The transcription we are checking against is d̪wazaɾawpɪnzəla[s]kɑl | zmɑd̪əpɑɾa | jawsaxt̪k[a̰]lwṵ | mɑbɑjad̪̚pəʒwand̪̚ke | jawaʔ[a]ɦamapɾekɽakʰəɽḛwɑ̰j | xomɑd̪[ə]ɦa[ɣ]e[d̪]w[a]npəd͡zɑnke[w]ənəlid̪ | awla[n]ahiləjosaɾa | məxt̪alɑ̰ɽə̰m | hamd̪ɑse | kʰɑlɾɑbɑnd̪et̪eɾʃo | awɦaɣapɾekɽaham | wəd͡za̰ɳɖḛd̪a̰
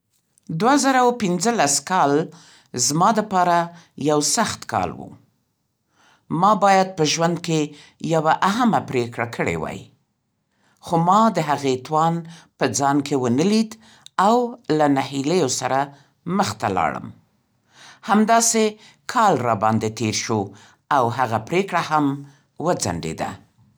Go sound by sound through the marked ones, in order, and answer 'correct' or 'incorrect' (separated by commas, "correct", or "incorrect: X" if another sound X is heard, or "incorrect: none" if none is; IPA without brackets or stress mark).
correct, incorrect: ɑ̰, correct, correct, correct, incorrect: t̪, incorrect: ɑ, correct, correct